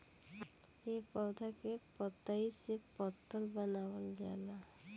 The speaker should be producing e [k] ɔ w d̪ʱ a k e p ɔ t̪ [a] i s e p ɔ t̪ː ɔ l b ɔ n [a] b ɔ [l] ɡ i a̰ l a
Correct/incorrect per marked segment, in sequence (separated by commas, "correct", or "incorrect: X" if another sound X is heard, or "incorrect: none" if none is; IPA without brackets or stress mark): incorrect: p, correct, correct, correct